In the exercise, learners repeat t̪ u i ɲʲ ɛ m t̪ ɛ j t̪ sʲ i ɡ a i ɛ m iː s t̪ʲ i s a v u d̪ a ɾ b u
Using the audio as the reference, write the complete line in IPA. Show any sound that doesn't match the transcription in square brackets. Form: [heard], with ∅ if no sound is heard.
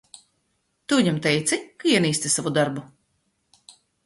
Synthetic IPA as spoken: t̪ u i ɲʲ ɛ m t̪ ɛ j t̪ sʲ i [k] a i ɛ [n] iː s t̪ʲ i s a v u d̪ a ɾ b u